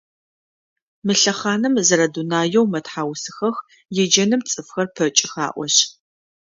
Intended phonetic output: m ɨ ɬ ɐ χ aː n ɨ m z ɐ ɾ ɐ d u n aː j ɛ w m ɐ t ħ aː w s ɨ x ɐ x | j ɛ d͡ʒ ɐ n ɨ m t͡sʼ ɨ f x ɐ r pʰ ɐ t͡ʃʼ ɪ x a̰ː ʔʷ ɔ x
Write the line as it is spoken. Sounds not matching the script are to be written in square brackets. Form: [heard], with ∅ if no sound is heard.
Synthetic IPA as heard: m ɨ ɬ ɐ χ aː n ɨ m z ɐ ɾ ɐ d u n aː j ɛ w m ɐ t ħ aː w s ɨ x ɐ x | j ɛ d͡ʒ ɐ n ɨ m t͡sʼ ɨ f x ɐ r pʰ ɐ t͡ʃʼ ɪ x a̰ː ʔʷ ɔ [ɕ]